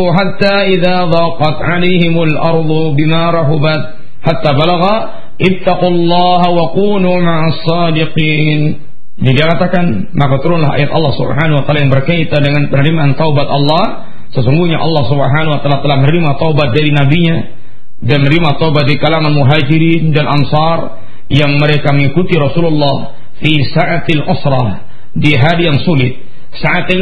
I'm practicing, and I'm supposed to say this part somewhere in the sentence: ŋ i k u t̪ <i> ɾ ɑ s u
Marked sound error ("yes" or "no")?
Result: no